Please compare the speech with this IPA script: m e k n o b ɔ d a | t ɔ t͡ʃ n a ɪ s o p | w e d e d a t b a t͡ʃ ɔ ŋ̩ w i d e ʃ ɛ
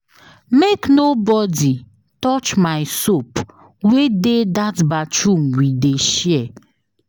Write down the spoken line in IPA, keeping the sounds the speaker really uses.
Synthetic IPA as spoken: m e k n o b ɔ d i | t ɔ t͡ʃ m a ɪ s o p | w e d e d a t b a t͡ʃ u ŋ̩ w i d e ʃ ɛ

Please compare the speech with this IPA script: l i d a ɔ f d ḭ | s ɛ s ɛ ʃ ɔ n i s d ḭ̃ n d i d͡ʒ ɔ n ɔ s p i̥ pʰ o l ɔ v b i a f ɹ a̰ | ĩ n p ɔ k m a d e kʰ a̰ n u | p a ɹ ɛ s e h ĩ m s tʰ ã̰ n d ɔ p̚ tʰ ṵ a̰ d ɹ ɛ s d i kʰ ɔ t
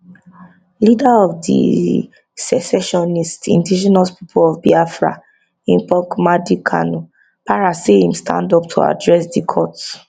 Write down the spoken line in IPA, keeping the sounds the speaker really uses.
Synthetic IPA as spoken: l i d a ɔ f d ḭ | s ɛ s ɛ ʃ ɔ n i s t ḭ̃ n d i d͡ʒ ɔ n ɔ s p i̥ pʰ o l ɔ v b i a f ɹ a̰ | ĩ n p ɔ k m a d i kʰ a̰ n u | p a ɹ a s e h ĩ m s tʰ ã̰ n d ɔ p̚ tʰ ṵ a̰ d ɹ ɛ s d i kʰ ɔ t

